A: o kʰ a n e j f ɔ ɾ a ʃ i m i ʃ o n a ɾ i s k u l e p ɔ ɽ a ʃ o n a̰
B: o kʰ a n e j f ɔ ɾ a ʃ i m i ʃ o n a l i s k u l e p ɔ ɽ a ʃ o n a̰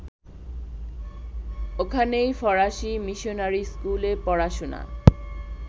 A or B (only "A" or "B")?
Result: A